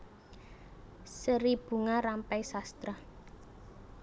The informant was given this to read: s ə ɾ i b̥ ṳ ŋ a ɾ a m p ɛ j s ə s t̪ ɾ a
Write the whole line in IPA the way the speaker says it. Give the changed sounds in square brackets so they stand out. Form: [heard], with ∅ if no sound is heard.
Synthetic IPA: s ə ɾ i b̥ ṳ ŋ a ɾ a m p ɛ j s [a] s t̪ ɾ a